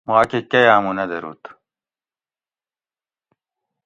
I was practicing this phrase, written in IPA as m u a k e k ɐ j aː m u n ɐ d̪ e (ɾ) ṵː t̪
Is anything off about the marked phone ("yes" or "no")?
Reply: no